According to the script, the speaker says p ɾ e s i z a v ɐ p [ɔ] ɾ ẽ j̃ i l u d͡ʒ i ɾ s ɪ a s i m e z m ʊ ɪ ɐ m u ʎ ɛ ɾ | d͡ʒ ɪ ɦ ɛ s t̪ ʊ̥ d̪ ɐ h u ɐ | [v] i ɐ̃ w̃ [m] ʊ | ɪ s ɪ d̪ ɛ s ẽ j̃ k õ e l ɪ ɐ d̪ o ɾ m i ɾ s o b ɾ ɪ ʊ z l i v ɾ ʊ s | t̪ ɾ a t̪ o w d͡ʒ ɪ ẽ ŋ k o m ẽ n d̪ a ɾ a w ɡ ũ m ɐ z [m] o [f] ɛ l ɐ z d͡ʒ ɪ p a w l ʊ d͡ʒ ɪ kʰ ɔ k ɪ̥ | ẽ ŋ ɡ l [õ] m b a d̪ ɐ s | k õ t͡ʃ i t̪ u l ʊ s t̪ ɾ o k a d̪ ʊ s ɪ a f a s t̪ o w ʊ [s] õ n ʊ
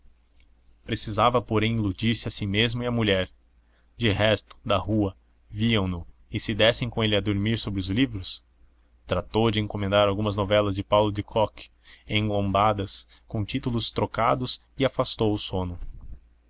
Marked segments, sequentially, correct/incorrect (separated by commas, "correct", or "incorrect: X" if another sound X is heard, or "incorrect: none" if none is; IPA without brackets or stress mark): incorrect: o, correct, incorrect: n, incorrect: n, incorrect: v, correct, correct